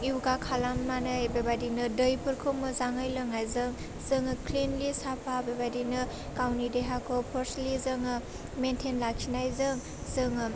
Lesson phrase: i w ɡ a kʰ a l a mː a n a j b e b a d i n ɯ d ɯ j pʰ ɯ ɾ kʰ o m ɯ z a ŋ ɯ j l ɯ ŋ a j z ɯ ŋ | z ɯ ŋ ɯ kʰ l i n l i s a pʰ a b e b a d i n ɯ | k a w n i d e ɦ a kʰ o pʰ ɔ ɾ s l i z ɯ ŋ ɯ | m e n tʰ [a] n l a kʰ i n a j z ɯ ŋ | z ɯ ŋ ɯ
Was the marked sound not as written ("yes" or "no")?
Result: yes